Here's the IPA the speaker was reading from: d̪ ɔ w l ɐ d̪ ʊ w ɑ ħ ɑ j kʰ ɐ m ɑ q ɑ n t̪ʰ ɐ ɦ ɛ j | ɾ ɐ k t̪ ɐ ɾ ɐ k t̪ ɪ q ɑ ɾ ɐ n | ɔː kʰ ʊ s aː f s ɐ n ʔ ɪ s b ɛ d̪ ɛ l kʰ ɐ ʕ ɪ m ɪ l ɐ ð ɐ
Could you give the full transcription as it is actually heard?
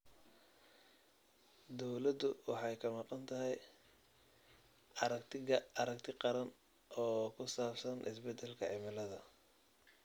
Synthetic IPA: d̪ ɔ w l ɐ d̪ ʊ w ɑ ħ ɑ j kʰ ɐ m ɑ q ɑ n t̪ʰ ɐ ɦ ɛ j | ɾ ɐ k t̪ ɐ ɾ ɐ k t̪ʰ ɪ q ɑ ɾ ɐ n | ɔː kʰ ʊ s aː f s ɐ n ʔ ɪ s b ɛ d̪ ɛ l kʰ ɐ ʕ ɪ m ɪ l ɐ ð ɐ

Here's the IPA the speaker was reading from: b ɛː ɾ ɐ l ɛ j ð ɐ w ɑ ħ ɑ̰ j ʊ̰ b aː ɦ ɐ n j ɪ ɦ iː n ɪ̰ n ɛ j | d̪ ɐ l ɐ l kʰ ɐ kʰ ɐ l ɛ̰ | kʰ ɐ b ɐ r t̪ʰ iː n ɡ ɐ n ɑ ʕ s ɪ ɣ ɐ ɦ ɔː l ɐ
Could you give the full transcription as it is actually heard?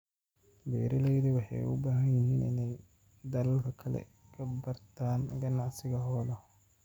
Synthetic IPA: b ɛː ɾ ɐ l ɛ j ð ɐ w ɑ ħ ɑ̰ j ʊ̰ b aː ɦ ɐ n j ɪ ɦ iː n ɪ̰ n ɛ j | d̪ ɐ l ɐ l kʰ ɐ kʰ ɐ l ɛ̰ | kʰ ɐ b ɐ r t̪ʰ aː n ɡ ɐ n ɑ ʕ s ɪ ɣ ɐ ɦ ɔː l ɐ

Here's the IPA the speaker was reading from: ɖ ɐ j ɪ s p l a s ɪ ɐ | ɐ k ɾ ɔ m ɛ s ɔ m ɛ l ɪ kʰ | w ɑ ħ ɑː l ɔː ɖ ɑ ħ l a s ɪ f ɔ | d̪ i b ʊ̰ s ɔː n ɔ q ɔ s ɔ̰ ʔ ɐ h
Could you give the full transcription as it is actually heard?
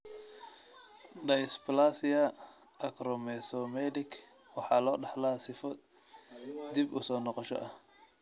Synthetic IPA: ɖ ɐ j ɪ s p l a s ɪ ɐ | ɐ k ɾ ɔ m ɛ s ɔ m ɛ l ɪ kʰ | w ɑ ħ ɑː l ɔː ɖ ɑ ħ l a s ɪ f ɔ | d̪ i b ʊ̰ s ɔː n ɔ q ɔ ʃ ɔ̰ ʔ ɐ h

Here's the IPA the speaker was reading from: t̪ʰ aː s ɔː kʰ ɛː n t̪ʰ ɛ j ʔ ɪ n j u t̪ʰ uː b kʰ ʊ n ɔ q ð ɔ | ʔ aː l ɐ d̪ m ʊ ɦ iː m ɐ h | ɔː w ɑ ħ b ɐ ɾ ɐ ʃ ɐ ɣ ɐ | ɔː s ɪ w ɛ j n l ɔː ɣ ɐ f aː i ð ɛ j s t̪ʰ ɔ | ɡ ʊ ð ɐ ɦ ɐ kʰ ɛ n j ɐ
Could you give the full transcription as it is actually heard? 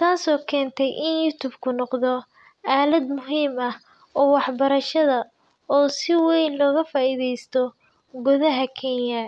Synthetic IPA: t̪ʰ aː s ɔː kʰ ɛː n t̪ʰ ɛ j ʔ ɪ n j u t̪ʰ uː b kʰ ʊ n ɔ q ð ɔ | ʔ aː l ɐ d̪ m ʊ ɦ iː m ɐ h | ɔː w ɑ ħ b ɐ ɾ ɐ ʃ ɐ ð ɐ | ɔː s ɪ w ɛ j n l ɔː ɣ ɐ f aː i ð ɛ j s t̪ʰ ɔ | ɡ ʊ ð ɐ ɦ ɐ kʰ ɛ n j ɐ

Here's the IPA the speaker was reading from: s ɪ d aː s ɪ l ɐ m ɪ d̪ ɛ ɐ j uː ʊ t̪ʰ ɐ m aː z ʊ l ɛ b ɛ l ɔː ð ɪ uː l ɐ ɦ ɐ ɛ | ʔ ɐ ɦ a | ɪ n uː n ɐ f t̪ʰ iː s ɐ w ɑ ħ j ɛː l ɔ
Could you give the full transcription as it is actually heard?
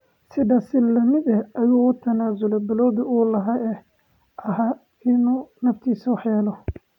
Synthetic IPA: s ɪ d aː s ɪ l ɐ m ɪ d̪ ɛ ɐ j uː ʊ t̪ʰ ɐ n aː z ʊ l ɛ b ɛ l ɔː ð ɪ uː l ɐ ɦ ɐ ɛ | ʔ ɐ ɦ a | ɪ n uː n ɐ f t̪ʰ iː s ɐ w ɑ ħ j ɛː l ɔ

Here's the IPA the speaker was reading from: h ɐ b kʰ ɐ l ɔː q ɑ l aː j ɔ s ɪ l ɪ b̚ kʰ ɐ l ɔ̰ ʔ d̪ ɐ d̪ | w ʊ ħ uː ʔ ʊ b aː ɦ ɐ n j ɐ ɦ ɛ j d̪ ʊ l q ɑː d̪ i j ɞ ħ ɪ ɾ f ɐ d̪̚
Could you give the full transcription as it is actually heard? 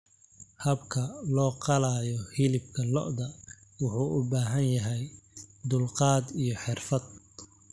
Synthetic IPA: h ɐ b kʰ ɐ l ɔː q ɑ l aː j ɔ h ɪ l ɪ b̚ kʰ ɐ l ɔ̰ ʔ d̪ ɐ | w ʊ ħ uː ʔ ʊ b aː ɦ ɐ n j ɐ ɦ ɛ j d̪ ʊ l q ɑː d̪ i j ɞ ħ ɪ r f ɐ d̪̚

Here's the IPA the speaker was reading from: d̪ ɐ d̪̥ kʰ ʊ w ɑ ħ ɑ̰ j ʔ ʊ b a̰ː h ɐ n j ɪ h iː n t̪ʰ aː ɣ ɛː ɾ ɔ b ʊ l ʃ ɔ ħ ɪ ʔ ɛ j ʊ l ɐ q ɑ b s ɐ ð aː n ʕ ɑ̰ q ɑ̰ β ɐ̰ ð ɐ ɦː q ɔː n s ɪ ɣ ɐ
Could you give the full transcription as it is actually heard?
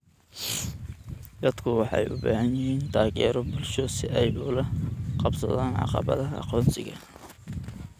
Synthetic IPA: d̪ ɐ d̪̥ kʰ ʊ w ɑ ħ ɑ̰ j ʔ ʊ b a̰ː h ɐ n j ɪ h iː n t̪ʰ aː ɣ ɛː ɾ ɔ b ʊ l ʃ ɔ s ɪ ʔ ɛ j ʊ l ɐ q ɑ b s ɐ ð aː n ʕ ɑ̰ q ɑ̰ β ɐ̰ ð ɐ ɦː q ɔː n s ɪ ɣ ɐ

